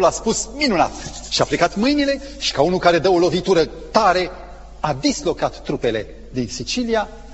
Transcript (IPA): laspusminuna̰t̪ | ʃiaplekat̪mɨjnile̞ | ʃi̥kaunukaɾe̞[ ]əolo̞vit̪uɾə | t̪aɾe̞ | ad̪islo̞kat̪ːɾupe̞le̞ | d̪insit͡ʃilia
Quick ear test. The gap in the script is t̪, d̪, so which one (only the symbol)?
d̪